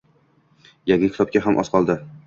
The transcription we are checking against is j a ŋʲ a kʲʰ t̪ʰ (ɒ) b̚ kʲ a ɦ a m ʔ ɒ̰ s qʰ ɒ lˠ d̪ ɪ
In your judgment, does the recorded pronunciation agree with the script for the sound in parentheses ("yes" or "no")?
yes